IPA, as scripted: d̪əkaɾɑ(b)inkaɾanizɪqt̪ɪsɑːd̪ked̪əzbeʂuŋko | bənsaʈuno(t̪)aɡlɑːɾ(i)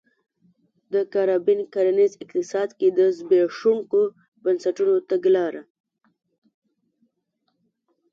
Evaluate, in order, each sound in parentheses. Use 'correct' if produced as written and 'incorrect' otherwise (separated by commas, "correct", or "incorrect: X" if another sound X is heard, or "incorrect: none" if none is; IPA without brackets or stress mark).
correct, correct, incorrect: a